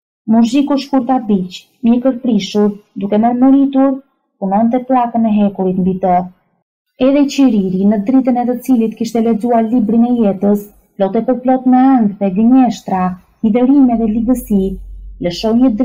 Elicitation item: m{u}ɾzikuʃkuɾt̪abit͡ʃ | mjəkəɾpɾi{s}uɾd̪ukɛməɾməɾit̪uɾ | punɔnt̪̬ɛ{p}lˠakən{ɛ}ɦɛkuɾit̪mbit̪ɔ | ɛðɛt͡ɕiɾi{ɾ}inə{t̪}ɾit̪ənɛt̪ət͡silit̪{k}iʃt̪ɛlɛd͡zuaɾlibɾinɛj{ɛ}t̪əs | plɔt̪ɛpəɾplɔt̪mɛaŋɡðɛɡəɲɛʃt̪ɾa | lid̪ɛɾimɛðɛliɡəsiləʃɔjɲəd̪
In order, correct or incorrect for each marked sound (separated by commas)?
correct, incorrect, correct, correct, correct, incorrect, correct, correct